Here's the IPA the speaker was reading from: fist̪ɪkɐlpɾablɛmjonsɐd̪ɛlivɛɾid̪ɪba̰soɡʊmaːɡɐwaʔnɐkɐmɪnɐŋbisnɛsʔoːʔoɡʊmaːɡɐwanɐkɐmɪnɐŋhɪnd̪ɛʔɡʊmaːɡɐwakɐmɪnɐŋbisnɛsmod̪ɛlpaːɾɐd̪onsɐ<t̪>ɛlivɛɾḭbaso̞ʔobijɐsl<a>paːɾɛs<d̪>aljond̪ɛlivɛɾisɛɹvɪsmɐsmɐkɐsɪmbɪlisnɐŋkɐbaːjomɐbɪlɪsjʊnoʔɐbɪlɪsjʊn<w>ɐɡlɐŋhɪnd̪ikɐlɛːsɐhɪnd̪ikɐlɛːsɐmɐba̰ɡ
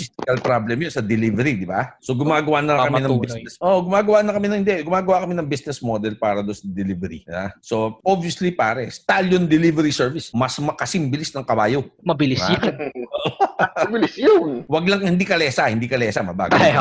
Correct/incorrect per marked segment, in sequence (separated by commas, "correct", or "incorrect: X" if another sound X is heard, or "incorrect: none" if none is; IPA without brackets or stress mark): incorrect: d̪, incorrect: i, incorrect: t̪, correct